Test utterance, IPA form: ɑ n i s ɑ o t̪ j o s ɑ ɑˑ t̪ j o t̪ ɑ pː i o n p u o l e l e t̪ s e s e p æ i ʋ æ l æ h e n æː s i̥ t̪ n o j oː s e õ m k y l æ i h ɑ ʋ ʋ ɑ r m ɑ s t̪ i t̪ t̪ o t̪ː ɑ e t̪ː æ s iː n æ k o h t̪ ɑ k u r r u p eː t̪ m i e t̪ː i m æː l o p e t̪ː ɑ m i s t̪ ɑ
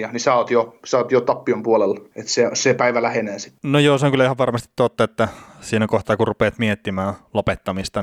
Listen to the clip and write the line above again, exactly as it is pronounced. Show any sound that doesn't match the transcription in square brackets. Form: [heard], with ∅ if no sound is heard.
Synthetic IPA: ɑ n i s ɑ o t̪ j o s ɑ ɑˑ t̪ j o t̪ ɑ pː i o [m] p u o l e l e t̪ s e s e p æ i ʋ æ l æ h e n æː s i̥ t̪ n o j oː s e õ [ŋ] k y l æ i h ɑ ʋ ʋ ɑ r m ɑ s t̪ i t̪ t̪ o t̪ː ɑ e t̪ː æ s iː n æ k o h t̪ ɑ k u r r u p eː t̪ m i e t̪ː i m æː l o p e t̪ː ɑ m i s t̪ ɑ